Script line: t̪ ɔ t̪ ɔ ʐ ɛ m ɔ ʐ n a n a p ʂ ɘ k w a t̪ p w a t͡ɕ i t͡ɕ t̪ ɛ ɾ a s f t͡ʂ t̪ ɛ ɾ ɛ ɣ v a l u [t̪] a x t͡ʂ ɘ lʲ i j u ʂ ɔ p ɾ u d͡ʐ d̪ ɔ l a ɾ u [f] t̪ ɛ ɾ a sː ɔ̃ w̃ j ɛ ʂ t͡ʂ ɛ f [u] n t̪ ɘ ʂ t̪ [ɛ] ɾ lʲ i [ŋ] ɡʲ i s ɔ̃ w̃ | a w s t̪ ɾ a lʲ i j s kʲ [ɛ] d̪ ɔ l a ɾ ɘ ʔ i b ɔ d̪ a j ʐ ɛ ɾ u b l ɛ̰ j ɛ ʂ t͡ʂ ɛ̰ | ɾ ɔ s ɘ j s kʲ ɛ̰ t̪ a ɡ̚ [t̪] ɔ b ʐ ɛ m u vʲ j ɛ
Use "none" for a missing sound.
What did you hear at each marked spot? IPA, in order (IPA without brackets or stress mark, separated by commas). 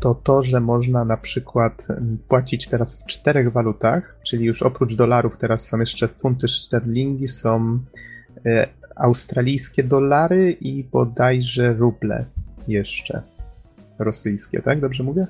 t̪, f, u, ɛ, ŋ, ɛ, d̪